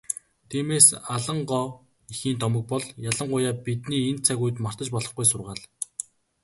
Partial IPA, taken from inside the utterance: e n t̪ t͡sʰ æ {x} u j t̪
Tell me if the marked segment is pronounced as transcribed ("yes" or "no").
no